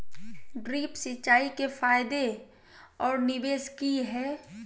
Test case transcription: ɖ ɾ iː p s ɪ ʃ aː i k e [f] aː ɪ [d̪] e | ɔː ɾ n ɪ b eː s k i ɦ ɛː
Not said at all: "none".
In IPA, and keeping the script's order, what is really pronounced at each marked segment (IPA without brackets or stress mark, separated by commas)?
f, d̪